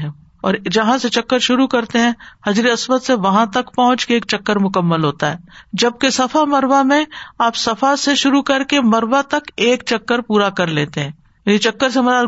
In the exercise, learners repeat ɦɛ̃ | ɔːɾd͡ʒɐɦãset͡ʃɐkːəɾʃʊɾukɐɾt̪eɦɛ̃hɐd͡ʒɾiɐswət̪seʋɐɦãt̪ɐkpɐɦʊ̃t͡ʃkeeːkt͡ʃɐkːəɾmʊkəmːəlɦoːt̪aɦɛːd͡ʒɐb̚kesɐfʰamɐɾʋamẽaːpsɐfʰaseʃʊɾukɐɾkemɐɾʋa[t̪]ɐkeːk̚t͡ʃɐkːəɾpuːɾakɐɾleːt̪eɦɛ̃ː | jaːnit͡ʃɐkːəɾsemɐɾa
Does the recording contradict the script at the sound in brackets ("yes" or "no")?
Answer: no